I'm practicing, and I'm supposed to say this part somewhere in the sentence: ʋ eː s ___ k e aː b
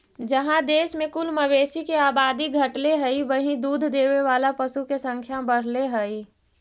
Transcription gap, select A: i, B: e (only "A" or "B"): A